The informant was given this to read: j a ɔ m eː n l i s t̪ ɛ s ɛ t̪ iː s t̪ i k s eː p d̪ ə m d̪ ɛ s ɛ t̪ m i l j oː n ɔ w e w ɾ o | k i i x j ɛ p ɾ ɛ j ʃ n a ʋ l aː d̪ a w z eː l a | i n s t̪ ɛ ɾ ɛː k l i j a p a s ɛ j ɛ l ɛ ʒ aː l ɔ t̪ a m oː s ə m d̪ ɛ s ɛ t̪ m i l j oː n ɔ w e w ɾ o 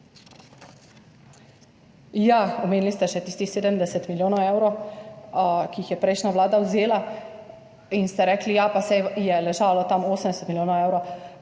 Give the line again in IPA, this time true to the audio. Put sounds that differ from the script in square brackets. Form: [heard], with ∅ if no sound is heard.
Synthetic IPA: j a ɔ m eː n l i s t̪ ɛ [ʃ] ɛ t̪ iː s t̪ i [x] s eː [∅] d̪ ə m d̪ ɛ s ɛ t̪ m i l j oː n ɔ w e w ɾ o | k i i x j ɛ p ɾ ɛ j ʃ n a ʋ l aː d̪ a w z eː l a | i n s t̪ ɛ ɾ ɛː k l i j a p a s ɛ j ɛ l ɛ ʒ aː l ɔ t̪ a m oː s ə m d̪ ɛ s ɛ t̪ m i l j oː n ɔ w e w ɾ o